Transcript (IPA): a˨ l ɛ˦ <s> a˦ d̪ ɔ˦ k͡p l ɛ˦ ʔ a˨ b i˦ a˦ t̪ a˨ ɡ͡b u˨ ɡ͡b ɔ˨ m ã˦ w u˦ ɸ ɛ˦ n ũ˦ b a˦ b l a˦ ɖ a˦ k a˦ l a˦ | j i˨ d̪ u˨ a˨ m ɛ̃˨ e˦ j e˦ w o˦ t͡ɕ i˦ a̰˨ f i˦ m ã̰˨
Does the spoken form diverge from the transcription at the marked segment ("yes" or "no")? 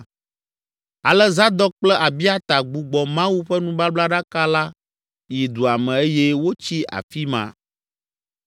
yes